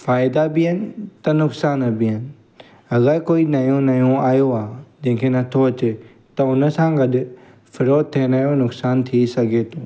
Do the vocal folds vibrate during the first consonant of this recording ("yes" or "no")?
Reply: no